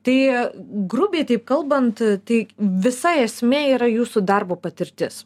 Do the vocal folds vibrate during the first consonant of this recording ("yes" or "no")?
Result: no